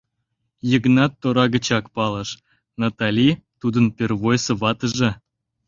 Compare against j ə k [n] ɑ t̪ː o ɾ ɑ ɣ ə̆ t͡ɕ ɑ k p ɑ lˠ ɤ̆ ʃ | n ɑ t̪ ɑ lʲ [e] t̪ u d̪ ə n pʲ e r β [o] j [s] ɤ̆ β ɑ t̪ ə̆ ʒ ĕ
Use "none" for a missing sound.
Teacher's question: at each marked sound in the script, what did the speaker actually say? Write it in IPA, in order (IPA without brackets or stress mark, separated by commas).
n, i, o, s